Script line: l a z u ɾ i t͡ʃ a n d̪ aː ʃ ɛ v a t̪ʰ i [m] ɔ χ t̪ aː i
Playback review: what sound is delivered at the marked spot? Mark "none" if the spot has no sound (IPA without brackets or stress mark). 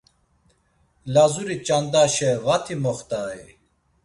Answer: m